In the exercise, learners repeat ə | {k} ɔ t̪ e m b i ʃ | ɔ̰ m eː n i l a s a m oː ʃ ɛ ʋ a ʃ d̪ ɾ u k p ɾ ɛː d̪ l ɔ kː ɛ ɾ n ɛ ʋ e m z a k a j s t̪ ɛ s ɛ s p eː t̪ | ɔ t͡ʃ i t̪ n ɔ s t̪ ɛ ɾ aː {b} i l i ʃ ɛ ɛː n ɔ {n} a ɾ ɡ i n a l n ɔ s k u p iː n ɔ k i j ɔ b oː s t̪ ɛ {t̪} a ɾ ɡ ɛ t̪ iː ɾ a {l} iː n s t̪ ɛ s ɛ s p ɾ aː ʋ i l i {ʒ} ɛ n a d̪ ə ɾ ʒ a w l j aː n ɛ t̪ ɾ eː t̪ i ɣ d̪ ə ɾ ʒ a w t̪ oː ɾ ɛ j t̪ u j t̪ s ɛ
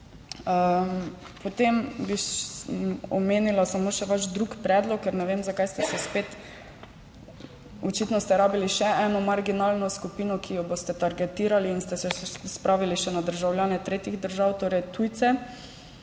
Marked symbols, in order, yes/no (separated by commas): no, yes, no, yes, yes, no